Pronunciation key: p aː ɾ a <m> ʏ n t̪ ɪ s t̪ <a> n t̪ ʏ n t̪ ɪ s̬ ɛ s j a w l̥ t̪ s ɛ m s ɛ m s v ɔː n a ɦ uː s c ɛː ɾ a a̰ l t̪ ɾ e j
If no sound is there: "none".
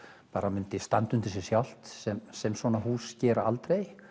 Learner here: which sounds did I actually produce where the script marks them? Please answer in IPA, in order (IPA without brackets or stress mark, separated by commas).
m, a